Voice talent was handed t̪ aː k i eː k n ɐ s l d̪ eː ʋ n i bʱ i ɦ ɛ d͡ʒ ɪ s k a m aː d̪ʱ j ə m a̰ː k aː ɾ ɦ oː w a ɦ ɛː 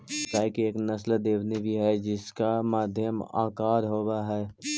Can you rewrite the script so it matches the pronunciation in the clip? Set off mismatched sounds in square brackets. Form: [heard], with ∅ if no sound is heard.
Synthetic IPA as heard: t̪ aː k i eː k n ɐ s l d̪ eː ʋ n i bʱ i ɦ ɛ d͡ʒ ɪ s k a m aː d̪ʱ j ə m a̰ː k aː ɾ ɦ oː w a ɦ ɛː

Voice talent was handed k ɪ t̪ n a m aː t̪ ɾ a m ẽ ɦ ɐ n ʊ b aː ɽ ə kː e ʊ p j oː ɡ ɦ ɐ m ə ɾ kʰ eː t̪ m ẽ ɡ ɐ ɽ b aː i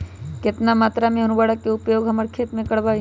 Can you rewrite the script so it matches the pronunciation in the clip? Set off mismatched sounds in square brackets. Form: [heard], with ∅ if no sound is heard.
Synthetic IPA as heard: k ɪ t̪ n a m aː t̪ ɾ a m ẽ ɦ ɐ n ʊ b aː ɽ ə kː e ʊ p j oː ɡ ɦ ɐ m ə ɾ kʰ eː t̪ m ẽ [k] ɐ ɽ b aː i

